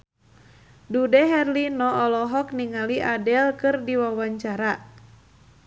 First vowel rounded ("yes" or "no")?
yes